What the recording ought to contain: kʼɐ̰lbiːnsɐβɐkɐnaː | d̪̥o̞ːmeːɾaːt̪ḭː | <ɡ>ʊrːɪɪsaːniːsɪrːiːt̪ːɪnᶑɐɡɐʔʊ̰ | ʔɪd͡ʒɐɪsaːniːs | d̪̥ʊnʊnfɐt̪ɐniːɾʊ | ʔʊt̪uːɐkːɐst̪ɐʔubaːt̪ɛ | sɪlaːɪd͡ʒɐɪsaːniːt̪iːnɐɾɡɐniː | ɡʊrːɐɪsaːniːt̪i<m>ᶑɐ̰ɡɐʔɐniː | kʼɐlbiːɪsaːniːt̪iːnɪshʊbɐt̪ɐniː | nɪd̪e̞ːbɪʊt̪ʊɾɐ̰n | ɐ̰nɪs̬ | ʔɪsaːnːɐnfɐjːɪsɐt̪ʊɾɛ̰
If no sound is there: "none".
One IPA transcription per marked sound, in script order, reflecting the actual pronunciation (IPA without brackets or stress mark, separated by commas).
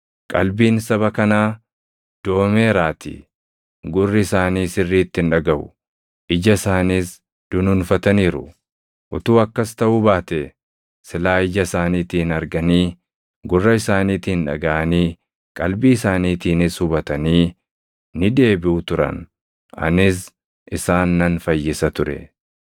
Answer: ɡ, n